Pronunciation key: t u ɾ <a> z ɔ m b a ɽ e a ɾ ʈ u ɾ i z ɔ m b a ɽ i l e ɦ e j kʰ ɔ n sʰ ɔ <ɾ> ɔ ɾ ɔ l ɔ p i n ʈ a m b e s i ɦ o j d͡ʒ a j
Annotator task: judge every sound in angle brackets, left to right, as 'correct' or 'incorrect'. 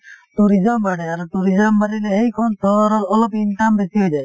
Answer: incorrect, correct

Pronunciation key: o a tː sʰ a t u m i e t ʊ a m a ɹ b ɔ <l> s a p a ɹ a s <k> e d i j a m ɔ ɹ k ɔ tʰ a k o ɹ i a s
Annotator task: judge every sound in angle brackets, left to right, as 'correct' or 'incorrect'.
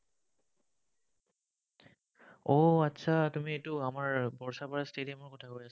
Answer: incorrect, incorrect

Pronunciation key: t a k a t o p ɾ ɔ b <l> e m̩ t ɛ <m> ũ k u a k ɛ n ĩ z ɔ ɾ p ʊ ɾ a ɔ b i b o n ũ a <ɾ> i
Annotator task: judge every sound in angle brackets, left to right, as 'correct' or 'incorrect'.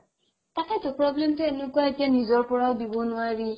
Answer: correct, incorrect, correct

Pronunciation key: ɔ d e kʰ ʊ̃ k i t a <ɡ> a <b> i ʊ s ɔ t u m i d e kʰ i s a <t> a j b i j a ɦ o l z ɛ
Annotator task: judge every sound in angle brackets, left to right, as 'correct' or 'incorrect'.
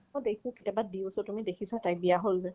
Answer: incorrect, incorrect, correct

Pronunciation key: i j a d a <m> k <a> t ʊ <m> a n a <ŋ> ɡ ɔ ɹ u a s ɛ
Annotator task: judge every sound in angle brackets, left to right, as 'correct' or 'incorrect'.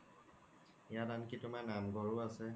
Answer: incorrect, incorrect, correct, incorrect

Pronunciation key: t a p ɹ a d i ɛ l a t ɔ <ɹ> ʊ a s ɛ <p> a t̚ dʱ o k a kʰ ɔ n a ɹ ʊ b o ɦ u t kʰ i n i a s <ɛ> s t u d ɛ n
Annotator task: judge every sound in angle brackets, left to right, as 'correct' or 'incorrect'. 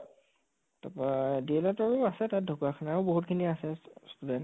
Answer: correct, incorrect, correct

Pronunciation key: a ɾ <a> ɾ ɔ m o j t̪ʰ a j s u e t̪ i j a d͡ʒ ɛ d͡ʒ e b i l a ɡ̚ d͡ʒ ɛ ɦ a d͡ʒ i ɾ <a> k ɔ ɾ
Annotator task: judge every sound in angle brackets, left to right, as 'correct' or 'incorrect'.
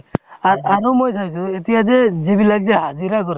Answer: correct, correct

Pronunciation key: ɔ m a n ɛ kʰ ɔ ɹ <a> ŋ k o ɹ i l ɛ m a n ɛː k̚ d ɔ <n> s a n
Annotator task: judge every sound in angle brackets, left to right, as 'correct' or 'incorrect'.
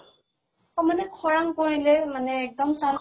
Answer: correct, incorrect

